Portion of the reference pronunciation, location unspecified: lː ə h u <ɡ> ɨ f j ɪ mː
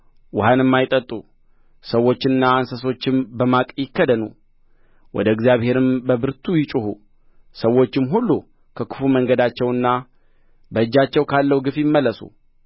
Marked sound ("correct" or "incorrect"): correct